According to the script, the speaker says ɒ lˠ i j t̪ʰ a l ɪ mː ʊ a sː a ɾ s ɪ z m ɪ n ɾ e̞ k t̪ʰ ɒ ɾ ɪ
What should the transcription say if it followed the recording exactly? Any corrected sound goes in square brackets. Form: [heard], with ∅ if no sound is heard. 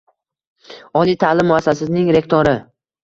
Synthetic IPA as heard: ɒ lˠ i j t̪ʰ a l ɪ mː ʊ a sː a [∅] s ɪ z [n] ɪ [ŋ] ɾ e̞ k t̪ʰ [o] ɾ ɪ